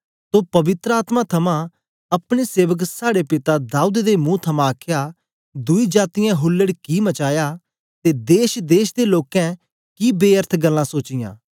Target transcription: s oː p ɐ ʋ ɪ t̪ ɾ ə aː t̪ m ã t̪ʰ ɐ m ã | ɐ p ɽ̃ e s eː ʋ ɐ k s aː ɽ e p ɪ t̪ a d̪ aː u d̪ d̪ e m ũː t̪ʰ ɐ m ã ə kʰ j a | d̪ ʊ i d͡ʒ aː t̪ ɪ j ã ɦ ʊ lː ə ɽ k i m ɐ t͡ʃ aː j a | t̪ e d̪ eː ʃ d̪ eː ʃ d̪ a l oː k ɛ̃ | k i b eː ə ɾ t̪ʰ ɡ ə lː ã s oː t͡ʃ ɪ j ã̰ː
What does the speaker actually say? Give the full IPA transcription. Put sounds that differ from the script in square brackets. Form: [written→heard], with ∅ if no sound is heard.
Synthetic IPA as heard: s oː p ɐ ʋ ɪ t̪ ɾ ə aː t̪ m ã t̪ʰ ɐ m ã | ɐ p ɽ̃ e s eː ʋ [ɐ→ə] k s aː ɽ e p ɪ t̪ a d̪ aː u d̪ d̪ e m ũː t̪ʰ ɐ m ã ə kʰ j a | d̪ ʊ i d͡ʒ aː t̪ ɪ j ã ɦ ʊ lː ə ɽ k i m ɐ t͡ʃ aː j a | t̪ e d̪ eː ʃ d̪ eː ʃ d̪ [a→e] l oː k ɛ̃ | k i b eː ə ɾ t̪ʰ ɡ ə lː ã s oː t͡ʃ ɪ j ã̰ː